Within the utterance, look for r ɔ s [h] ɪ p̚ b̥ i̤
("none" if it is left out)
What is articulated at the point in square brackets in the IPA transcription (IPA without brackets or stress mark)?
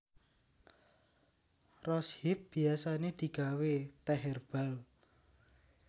h